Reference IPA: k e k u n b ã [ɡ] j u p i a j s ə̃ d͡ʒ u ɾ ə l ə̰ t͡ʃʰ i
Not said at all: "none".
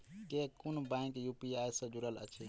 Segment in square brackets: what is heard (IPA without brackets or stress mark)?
k